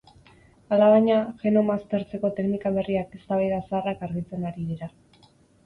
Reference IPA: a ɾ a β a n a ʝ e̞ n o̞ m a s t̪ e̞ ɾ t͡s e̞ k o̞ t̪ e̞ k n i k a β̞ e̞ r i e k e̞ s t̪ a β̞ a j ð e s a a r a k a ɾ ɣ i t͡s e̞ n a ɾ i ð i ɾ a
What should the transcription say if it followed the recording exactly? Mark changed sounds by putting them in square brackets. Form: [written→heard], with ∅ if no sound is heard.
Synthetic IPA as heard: a [ɾ→l] a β a [n→ɲ] a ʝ e̞ n o̞ m a s t̪ e̞ ɾ t͡s e̞ k o̞ t̪ e̞ k n i k a β̞ e̞ r i [e→a] k e̞ s t̪ a β̞ a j ð [e→a] s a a r a k a ɾ ɣ i t͡s e̞ n a ɾ i ð i ɾ a